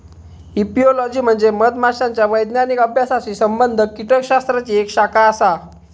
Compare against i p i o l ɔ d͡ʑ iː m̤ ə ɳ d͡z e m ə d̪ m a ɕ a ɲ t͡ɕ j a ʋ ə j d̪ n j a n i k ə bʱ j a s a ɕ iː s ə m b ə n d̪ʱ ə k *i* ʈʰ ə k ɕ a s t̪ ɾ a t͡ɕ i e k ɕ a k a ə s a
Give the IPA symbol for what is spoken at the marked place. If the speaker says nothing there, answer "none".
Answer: i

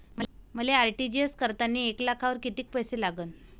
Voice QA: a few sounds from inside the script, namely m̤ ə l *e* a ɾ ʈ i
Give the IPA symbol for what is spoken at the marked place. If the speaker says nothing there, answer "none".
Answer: e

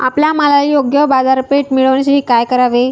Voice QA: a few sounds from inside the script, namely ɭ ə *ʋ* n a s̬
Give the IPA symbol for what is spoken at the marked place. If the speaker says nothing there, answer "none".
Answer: ʋ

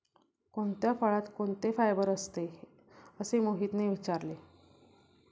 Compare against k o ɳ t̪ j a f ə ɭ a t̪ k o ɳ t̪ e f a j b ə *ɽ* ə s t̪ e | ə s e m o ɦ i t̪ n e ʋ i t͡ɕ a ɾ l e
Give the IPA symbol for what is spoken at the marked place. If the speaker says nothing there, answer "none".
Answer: ɾ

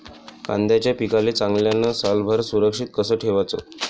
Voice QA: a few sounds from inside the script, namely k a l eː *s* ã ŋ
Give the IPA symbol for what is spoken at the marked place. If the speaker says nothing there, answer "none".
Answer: t͡s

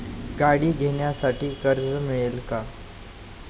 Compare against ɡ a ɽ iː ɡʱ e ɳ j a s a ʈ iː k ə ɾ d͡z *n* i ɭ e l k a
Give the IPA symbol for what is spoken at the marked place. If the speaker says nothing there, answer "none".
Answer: m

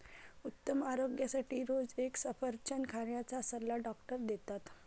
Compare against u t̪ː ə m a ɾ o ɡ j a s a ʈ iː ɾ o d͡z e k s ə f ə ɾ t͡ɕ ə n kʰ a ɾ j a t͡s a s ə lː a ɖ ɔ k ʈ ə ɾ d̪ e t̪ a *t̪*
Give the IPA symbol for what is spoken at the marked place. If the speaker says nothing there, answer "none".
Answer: t̪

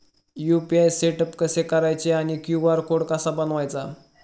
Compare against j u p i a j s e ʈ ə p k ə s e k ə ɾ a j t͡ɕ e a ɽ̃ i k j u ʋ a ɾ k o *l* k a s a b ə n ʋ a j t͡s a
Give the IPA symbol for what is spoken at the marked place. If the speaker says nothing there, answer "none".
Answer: ɽ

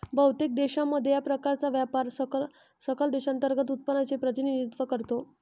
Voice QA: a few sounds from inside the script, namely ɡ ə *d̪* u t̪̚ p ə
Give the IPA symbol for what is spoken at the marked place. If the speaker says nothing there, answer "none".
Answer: t̪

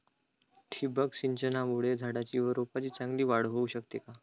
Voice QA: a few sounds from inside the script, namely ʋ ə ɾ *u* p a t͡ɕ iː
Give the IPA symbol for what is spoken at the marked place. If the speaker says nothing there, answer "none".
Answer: o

